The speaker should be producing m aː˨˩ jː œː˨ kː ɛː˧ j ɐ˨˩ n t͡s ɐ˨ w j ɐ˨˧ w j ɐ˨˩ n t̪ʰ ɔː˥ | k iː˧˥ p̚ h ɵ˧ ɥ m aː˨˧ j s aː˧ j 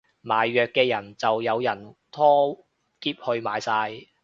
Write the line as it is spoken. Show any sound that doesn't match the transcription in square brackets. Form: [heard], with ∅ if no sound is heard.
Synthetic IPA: m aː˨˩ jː œː˨ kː ɛː˧ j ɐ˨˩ n t͡s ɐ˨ w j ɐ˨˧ w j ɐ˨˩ n t̪ʰ ɔː˥ | k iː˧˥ p̚ h ɵ˧ ɥ m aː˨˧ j s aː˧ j